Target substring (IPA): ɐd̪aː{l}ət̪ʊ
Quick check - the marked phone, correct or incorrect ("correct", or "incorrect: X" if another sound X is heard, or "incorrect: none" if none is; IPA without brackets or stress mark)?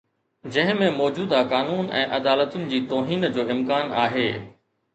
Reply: correct